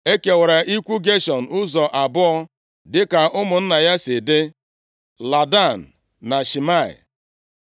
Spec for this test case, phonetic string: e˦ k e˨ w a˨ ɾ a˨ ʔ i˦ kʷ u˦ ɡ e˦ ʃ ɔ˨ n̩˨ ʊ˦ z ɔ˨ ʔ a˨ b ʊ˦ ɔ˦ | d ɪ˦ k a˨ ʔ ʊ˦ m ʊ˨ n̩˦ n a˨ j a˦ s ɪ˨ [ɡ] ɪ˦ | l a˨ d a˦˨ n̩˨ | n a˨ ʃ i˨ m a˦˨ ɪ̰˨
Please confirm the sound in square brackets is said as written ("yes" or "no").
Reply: no